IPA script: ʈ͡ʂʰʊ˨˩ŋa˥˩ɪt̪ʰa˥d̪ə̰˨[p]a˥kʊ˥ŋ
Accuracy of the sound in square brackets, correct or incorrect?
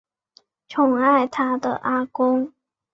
incorrect